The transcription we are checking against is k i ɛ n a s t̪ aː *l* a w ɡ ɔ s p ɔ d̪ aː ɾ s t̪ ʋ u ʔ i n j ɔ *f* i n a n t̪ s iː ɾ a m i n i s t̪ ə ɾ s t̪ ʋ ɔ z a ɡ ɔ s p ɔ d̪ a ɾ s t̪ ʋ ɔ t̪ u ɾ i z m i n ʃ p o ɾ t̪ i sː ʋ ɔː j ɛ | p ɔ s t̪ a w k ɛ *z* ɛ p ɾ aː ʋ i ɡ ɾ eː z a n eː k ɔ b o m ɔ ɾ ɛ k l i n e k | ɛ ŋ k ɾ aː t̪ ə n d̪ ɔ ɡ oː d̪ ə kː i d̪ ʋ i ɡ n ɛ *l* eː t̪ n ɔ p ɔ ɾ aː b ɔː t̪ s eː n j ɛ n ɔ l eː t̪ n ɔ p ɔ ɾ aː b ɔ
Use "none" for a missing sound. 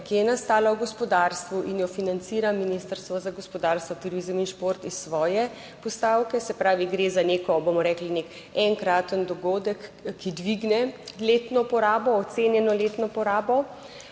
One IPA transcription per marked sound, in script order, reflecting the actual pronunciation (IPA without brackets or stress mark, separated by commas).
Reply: l, f, s, l